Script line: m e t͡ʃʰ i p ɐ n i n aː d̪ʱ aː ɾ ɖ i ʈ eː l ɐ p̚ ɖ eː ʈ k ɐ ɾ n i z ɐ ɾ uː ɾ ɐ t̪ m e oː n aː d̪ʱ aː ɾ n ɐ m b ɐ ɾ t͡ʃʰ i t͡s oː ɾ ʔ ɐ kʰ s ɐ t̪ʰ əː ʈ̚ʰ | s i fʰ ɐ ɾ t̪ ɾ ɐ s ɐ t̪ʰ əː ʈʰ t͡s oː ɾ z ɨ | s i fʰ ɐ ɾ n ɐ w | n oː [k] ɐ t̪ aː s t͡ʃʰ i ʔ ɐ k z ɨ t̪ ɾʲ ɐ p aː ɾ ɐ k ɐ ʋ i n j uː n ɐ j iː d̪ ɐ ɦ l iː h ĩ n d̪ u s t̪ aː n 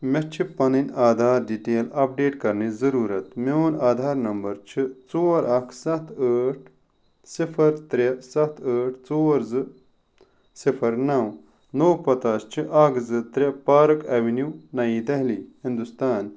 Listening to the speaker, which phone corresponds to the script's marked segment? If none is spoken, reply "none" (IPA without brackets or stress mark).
p